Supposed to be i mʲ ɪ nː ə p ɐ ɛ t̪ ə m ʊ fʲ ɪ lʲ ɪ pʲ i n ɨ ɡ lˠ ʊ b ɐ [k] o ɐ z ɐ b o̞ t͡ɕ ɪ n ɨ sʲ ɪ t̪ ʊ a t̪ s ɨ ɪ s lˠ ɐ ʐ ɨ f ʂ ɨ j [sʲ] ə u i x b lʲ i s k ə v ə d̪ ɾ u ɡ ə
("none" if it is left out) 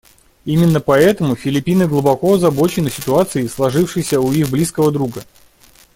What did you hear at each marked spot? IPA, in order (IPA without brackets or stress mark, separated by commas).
k, sʲ